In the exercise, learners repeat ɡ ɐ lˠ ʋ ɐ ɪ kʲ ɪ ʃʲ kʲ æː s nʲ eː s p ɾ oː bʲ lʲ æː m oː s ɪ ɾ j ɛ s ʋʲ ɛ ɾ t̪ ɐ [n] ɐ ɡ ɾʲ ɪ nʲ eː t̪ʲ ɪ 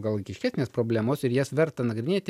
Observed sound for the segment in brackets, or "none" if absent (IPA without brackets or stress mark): n